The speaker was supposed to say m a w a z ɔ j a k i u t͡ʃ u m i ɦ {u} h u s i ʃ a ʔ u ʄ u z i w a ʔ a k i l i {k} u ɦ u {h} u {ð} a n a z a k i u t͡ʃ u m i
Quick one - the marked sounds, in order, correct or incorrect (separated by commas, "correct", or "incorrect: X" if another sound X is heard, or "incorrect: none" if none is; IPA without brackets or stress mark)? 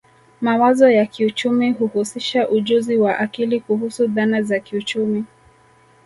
correct, correct, incorrect: s, correct